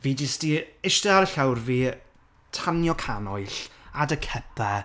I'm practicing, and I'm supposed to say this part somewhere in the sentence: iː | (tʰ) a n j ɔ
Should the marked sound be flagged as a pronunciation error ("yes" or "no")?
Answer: no